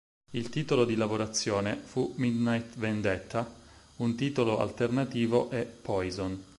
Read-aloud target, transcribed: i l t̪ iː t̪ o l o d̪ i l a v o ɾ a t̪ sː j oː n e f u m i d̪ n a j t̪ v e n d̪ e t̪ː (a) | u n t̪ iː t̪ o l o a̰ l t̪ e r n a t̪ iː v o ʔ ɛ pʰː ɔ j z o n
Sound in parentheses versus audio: correct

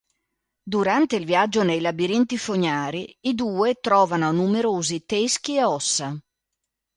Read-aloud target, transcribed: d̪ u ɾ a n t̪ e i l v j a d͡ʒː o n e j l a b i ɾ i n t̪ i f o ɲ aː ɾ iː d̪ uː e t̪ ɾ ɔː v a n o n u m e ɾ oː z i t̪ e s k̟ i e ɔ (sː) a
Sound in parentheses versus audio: correct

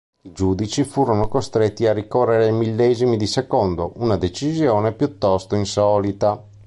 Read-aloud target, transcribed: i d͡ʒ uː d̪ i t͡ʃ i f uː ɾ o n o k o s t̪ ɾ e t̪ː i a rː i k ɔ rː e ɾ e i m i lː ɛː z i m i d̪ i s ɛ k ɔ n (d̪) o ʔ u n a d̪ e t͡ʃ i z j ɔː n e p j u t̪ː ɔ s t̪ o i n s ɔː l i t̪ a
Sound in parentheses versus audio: correct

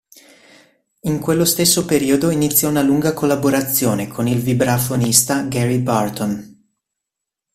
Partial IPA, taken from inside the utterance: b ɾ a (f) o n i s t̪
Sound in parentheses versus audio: correct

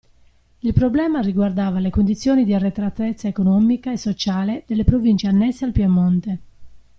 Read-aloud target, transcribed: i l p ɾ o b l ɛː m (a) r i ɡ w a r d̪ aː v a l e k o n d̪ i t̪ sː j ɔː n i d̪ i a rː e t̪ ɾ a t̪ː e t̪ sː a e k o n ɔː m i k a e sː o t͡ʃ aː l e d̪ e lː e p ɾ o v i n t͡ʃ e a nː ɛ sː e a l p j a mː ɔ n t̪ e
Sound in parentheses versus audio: correct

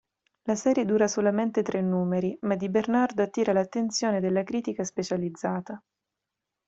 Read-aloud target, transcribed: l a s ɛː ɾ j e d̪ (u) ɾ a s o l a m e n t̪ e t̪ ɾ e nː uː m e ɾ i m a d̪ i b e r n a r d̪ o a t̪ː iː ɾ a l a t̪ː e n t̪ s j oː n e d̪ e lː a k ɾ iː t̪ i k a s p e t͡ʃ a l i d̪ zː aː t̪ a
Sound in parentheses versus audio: incorrect: uː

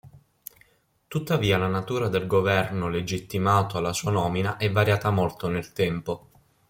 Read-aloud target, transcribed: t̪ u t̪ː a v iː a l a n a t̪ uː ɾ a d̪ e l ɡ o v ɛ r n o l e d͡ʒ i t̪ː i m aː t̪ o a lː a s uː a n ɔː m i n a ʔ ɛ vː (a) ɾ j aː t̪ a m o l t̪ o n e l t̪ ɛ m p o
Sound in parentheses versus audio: correct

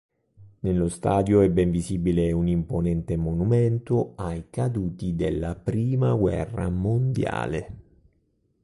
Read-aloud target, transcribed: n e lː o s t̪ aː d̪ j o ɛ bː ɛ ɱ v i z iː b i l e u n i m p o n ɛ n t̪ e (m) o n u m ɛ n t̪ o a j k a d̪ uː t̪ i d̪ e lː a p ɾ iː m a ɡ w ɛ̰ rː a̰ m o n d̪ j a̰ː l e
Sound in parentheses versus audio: correct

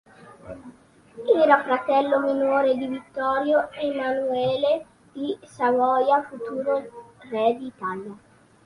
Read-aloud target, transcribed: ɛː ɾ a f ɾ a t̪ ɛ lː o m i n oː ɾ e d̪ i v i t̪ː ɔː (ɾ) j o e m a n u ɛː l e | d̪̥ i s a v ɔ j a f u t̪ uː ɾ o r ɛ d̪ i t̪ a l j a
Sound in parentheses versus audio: correct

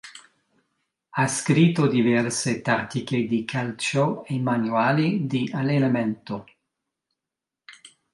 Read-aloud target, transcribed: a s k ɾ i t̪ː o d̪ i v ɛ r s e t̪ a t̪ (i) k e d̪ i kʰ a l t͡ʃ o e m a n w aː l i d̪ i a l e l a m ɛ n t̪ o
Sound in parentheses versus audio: correct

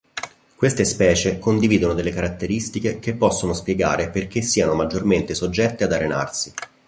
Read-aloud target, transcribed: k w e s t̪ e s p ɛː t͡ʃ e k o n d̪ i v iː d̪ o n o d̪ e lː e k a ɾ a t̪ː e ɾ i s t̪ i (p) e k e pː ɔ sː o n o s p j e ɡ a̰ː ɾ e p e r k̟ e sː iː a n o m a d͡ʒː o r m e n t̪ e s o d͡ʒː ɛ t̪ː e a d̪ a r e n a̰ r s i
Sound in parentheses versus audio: incorrect: k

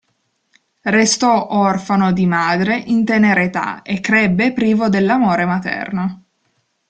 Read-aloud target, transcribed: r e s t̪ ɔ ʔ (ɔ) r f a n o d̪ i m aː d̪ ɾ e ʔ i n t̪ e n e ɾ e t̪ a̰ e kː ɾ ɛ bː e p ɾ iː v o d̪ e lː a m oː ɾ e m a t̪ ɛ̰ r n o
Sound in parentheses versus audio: correct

